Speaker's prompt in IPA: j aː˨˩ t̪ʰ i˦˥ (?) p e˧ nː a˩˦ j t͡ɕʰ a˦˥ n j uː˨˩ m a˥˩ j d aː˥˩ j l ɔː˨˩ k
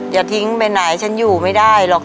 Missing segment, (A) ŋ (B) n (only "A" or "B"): A